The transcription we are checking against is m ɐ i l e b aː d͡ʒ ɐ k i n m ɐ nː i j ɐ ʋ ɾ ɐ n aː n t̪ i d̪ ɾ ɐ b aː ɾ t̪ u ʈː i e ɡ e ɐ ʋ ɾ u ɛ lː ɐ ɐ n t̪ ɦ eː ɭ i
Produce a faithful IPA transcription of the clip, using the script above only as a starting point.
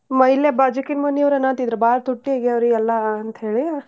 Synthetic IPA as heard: m ɐ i l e b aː d͡ʒ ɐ k i n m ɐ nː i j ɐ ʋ ɾ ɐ n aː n t̪ i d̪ ɾ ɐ b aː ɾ t̪ u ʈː i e ɡ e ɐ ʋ ɾ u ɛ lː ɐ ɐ n t̪ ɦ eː ɭ i